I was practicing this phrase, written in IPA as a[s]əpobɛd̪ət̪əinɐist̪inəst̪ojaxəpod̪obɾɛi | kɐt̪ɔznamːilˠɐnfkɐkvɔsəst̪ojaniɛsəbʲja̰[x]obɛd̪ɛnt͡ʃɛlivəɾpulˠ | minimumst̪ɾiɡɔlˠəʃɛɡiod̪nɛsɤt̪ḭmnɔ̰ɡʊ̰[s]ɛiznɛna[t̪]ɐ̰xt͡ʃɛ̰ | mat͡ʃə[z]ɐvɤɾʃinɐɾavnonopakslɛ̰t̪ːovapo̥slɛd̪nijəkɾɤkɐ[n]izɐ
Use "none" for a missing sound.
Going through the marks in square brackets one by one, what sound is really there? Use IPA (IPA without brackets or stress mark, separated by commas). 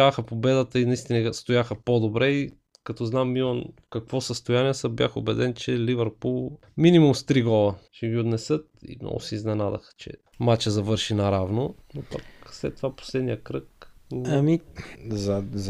x, x, s, d̪, z, m